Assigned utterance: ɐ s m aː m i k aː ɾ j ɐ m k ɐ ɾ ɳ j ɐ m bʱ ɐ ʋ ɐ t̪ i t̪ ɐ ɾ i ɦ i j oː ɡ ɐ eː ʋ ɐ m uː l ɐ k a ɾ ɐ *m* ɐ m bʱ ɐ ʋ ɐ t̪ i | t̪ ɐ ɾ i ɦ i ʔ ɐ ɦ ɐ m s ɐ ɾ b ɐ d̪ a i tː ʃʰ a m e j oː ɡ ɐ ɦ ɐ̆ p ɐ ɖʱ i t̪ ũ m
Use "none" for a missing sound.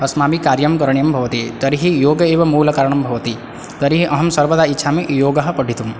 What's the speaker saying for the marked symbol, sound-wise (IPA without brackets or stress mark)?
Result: ɳ